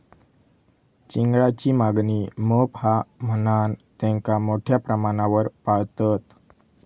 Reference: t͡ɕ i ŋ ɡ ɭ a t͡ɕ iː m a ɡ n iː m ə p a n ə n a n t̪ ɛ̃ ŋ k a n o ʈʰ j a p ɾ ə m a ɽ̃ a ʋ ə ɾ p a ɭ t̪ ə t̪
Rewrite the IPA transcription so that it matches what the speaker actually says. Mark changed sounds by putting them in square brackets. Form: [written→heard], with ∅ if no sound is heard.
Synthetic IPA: t͡ɕ i ŋ ɡ ɭ a t͡ɕ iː m a ɡ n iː m ə p a [n→m] ə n a n t̪ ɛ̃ ŋ k a [n→m] o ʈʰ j a p ɾ ə m a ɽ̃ a ʋ ə ɾ p a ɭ t̪ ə t̪

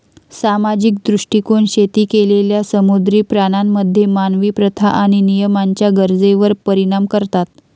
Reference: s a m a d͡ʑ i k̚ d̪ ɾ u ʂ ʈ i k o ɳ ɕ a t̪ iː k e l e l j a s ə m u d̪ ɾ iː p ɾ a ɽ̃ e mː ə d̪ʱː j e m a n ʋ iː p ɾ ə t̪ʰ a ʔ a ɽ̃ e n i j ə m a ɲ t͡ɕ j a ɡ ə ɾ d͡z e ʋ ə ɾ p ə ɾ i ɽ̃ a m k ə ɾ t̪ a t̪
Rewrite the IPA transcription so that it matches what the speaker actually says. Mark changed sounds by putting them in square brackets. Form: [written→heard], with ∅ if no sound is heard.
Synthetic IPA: s a m a d͡ʑ i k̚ d̪ ɾ u ʂ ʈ i k o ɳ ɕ [a→e] t̪ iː k e l e l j a s ə m u d̪ ɾ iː p ɾ a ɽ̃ [e→a] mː ə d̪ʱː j e m a n ʋ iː p ɾ ə t̪ʰ a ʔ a ɽ̃ [e→i] n i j ə m a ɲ t͡ɕ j a ɡ ə ɾ d͡z e ʋ ə ɾ p ə ɾ i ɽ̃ a m k ə ɾ t̪ a t̪

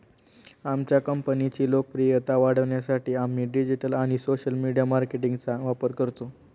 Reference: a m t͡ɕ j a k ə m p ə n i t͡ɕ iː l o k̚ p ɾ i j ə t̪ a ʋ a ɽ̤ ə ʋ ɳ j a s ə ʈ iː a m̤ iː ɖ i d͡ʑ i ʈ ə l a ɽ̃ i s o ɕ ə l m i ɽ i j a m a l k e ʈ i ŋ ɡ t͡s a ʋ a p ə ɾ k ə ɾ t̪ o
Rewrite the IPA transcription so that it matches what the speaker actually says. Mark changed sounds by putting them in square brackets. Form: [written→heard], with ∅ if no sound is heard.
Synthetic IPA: a m t͡ɕ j a k ə m p ə n i t͡ɕ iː l o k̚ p ɾ i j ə t̪ a ʋ a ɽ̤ ə ʋ ɳ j a s [ə→a] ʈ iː a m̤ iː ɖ i d͡ʑ i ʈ ə l a ɽ̃ i s o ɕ ə l m i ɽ i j a m a [l→ɾ] k e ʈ i ŋ ɡ t͡s a ʋ a p ə ɾ k ə ɾ t̪ o

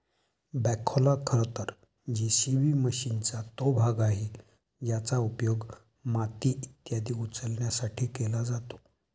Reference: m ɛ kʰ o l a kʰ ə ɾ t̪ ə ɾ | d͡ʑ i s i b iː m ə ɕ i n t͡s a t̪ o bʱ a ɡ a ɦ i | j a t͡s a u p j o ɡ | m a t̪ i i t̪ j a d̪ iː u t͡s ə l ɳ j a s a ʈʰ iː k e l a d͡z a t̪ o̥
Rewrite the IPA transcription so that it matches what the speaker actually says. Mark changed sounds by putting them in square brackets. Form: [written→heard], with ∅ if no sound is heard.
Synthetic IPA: [m→b] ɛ kʰ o l a kʰ ə ɾ t̪ ə ɾ | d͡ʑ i s i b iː m ə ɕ i n t͡s a t̪ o bʱ a ɡ a ɦ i | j a t͡s a u p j o ɡ | m a t̪ i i t̪ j a d̪ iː u t͡s ə l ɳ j a s a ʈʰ iː k e l a d͡z a t̪ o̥

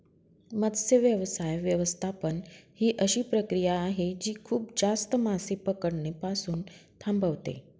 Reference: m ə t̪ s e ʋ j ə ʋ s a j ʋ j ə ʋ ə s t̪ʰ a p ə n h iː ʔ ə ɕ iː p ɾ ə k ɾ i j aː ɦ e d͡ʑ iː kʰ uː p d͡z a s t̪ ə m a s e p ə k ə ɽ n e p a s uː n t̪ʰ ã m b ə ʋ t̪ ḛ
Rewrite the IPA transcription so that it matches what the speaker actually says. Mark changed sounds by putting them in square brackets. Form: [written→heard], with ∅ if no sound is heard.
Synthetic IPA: m ə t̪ s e ʋ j ə ʋ s a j ʋ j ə ʋ ə s t̪ʰ a p ə n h iː ʔ ə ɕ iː p ɾ ə k ɾ i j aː ɦ e d͡ʑ iː kʰ uː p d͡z a s t̪ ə m a s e p ə k ə ɽ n e p a s uː n t̪ʰ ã m b ə ʋ t̪ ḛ

